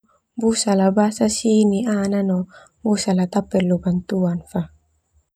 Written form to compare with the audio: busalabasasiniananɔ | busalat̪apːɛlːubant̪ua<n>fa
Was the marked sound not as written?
no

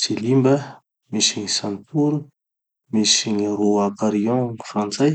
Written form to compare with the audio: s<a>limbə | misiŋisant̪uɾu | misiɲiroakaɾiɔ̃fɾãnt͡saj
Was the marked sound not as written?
yes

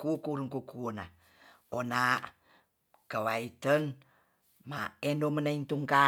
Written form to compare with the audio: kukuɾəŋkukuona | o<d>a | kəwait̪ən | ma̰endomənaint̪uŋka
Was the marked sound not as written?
yes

